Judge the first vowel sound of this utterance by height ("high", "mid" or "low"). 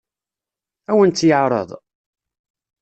low